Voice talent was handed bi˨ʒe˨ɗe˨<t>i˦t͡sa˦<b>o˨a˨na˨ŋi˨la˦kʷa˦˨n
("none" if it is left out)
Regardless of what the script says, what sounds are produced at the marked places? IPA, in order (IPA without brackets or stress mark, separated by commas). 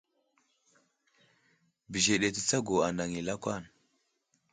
t, ɡ